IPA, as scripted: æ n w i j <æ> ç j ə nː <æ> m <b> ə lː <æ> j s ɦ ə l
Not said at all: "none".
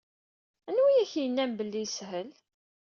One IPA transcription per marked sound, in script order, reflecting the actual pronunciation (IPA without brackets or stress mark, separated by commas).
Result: æ, æ, b, i